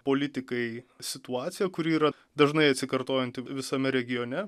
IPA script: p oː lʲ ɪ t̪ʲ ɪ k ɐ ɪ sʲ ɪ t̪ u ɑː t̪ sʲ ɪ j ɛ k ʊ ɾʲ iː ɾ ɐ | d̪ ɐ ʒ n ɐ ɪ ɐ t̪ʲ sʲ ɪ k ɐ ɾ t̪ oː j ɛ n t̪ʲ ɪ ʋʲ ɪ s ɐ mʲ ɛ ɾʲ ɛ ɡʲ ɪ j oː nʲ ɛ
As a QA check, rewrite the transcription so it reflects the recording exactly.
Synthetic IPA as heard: p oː lʲ ɪ t̪ʲ ɪ k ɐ ɪ sʲ ɪ t̪ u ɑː t̪ sʲ ɪ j ɛ k ʊ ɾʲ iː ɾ ɐ | d̪ ɐ ʒ n ɐ ɪ ɐ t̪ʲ sʲ ɪ k ɐ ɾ t̪ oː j ɛ n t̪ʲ ɪ ʋʲ ɪ s ɐ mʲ ɛ ɾʲ ɛ ɡʲ ɪ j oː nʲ ɛ